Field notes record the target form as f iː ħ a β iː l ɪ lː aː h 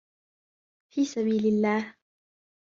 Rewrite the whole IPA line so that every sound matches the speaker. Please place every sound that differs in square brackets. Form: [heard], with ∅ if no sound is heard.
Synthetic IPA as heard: f iː [s] a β iː l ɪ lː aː h